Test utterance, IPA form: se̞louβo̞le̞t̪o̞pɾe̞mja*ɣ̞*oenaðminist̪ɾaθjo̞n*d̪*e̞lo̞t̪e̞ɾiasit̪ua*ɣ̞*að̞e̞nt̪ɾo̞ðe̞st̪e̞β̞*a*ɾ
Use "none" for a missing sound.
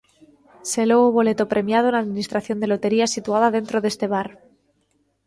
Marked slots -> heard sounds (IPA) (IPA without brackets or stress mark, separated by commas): ð̞, d̪, ð̞, a